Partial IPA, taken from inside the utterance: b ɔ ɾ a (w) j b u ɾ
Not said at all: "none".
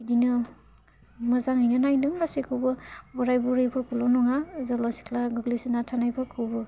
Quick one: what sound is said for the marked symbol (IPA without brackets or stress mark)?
none